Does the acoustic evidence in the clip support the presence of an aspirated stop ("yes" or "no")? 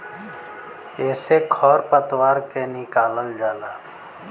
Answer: yes